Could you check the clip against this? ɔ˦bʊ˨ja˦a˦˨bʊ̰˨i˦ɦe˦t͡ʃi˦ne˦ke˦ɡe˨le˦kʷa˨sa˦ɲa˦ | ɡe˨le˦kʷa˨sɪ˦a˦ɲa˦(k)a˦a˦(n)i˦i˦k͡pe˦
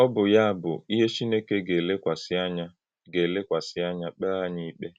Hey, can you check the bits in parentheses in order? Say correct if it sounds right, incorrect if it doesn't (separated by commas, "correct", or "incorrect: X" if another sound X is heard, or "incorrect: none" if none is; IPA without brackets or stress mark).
incorrect: k͡p, incorrect: ɲ